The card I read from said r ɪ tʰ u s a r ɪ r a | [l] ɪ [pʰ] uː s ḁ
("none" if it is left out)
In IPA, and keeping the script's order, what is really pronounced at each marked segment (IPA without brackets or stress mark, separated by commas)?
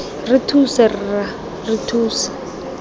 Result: r, tʰ